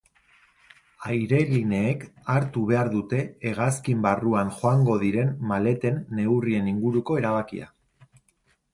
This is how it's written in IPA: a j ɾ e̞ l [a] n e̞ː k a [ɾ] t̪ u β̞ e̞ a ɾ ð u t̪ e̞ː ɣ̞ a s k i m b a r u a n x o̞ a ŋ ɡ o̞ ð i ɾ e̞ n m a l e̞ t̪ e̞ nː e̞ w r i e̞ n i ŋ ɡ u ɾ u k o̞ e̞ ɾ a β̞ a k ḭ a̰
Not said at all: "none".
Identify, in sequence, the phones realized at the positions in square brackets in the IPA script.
i, ɾ

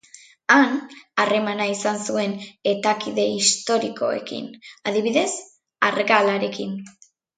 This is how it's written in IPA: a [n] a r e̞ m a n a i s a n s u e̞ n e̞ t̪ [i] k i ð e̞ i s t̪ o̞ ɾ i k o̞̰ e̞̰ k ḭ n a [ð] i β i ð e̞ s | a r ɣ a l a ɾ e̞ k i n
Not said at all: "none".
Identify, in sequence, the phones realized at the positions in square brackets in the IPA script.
n, a, ð

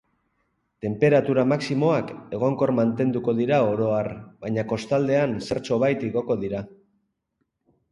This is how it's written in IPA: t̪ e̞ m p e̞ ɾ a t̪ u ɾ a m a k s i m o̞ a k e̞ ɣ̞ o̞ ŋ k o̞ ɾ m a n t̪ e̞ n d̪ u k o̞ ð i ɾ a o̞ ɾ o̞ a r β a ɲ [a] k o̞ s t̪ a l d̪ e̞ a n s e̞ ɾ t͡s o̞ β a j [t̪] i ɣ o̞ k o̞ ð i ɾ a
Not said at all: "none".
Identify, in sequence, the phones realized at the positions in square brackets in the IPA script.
a, t̪

